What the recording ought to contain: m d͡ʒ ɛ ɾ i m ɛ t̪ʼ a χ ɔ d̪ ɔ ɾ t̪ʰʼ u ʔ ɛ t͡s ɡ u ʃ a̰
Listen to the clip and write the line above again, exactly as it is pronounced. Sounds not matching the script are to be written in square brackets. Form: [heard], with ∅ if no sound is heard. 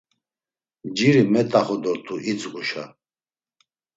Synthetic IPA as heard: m d͡ʒ [i] ɾ i m ɛ t̪ʼ a χ ɔ d̪ ɔ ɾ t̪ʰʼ u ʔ [i] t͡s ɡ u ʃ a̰